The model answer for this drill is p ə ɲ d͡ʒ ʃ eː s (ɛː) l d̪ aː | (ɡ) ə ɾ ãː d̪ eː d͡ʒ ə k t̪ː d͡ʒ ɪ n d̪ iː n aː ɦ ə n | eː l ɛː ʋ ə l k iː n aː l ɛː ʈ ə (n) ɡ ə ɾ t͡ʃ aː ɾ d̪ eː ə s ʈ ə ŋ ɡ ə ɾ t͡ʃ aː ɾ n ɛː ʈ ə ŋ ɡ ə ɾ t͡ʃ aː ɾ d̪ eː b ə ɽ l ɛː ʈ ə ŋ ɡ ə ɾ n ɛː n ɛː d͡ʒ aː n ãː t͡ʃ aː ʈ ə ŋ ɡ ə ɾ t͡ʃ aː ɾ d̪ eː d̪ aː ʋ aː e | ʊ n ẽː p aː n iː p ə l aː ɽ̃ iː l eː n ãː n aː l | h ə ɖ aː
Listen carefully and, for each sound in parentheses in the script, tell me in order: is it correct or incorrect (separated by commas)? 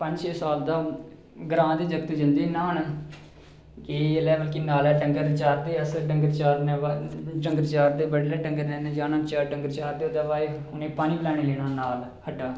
incorrect, correct, incorrect